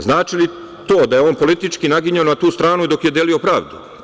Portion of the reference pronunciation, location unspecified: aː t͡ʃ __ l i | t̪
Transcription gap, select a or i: i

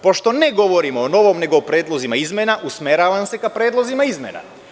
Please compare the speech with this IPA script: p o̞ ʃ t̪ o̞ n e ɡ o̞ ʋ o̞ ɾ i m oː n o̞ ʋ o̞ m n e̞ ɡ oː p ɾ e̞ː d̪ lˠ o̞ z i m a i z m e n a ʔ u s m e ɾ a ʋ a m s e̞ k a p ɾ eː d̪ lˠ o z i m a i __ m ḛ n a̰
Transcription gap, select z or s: z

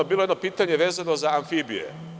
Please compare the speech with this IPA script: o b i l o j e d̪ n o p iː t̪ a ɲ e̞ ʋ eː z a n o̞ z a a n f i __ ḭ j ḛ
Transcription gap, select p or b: b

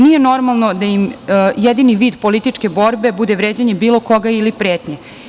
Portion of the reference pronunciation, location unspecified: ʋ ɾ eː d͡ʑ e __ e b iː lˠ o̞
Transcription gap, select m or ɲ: ɲ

